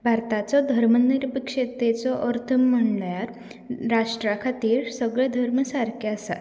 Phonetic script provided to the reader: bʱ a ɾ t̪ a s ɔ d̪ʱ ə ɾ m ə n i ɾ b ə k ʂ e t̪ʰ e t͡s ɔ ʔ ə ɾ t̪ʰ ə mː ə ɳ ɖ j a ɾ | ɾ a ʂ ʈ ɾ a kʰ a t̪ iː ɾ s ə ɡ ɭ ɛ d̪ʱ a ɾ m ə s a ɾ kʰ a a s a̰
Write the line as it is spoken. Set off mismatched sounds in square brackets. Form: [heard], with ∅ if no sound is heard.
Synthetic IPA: bʱ a ɾ t̪ a [t͡s] ɔ d̪ʱ ə ɾ m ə n i ɾ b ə k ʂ e [t̪] e t͡s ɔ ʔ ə ɾ t̪ʰ ə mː ə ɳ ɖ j a ɾ | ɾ a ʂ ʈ ɾ a kʰ a t̪ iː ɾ s ə ɡ ɭ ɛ d̪ʱ [ə] ɾ m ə s a ɾ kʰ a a s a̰